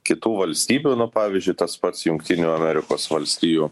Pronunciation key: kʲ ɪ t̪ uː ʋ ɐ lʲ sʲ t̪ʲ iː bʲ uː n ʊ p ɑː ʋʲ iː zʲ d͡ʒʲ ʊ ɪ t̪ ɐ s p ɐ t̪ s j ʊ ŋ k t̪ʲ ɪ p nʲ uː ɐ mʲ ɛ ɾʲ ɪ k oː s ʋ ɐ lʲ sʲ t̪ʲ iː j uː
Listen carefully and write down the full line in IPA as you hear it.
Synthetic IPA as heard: kʲ ɪ t̪ uː ʋ ɐ lʲ sʲ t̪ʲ iː bʲ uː n ʊ p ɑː ʋʲ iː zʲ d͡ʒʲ ʊ ɪ t̪ ɐ s p ɐ t̪ s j ʊ ŋ k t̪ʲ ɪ nʲ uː ɐ mʲ ɛ ɾʲ ɪ k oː s ʋ ɐ lʲ sʲ t̪ʲ iː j uː